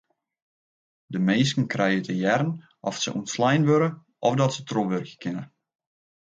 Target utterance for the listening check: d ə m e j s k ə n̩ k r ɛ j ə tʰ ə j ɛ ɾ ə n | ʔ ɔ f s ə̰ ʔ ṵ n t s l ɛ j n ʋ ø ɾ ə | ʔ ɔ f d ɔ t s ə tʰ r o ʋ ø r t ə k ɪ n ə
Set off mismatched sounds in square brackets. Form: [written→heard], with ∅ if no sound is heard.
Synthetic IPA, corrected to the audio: d ə m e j s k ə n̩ k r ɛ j ə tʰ ə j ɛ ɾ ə n | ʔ ɔ f s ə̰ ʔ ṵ n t s l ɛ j n ʋ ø ɾ ə | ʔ ɔ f d ɔ t s ə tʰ r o ʋ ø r [t→k] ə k ɪ n ə

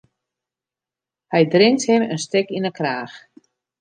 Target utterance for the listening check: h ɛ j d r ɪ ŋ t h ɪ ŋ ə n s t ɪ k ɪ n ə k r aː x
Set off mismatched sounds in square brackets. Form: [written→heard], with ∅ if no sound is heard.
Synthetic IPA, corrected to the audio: h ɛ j d r ɪ ŋ t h ɪ [ŋ→m] ə n s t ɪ k [ɪ→i] n ə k r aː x

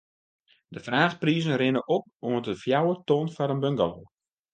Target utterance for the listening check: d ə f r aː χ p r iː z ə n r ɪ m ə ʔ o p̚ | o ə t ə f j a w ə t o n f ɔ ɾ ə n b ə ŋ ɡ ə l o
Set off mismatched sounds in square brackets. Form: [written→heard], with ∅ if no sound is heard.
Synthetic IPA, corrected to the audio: d ə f r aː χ p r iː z ə n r ɪ [m→n] ə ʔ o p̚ | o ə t ə f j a w ə t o n f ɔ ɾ ə n b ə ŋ ɡ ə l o

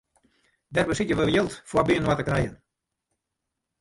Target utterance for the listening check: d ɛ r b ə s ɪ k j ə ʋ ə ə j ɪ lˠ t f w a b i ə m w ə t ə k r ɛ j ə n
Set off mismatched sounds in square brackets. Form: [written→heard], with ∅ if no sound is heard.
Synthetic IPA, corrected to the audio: d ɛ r b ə s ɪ [k→t] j ə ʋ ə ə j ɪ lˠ t f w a b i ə [m→n] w [ə→a] t ə k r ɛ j ə n

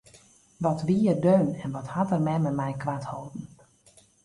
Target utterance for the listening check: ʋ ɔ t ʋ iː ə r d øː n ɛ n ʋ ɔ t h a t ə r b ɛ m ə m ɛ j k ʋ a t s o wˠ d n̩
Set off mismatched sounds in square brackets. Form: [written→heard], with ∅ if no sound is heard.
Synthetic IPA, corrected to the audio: ʋ ɔ t ʋ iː ə r d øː n ɛ n ʋ ɔ t h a t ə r [b→m] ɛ m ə m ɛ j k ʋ a t [s→h] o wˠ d n̩

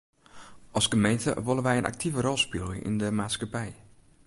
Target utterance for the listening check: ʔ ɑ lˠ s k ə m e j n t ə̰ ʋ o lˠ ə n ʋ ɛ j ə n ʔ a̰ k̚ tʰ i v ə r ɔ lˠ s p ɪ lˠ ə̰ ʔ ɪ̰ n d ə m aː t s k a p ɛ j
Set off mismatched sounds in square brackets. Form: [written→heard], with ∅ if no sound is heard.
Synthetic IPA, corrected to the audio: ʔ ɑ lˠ s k ə m e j n t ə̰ ʋ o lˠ ə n ʋ ɛ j ə n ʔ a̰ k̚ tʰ i v ə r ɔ lˠ s p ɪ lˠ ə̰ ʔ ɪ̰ n d ə m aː t s k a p ɛ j

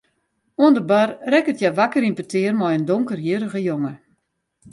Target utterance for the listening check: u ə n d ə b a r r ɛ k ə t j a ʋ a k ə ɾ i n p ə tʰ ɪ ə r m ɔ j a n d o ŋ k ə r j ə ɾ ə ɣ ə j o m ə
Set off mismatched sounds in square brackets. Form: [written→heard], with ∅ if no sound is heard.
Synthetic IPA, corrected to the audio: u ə n d ə b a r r ɛ k ə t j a ʋ a k ə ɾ i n p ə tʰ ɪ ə r m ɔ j [a→ə] n d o ŋ k ə r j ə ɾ ə ɣ ə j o [m→ŋ] ə

